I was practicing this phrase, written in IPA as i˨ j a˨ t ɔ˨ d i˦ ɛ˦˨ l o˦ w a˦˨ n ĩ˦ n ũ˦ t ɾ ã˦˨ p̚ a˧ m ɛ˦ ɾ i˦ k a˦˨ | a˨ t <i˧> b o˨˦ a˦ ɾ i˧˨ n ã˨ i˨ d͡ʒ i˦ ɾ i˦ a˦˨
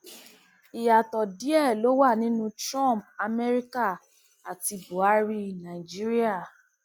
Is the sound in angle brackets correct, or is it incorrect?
correct